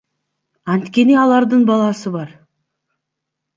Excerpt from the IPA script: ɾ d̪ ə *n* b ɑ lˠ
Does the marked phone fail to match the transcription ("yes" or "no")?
yes